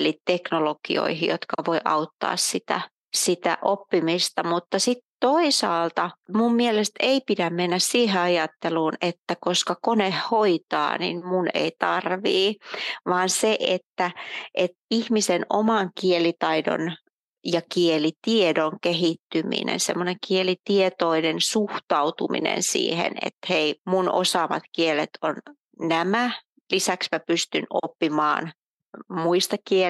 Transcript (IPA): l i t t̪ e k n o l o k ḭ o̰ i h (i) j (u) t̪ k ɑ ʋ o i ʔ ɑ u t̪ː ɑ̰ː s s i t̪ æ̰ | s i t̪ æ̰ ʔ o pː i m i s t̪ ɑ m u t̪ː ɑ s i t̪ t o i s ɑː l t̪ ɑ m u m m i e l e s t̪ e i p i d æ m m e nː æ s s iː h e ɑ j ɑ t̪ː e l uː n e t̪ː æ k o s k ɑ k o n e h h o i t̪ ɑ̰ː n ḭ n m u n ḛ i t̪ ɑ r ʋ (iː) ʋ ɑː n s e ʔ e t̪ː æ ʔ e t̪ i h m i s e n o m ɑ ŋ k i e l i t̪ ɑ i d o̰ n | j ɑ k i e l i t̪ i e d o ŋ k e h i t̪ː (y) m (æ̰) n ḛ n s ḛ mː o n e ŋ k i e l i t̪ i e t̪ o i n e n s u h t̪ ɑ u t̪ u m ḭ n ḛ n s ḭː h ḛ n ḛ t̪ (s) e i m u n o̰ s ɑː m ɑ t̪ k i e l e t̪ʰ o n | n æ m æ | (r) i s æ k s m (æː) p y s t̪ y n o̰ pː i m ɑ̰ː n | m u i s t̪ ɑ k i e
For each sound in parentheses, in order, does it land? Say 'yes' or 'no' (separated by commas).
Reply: yes, no, yes, yes, no, no, no, no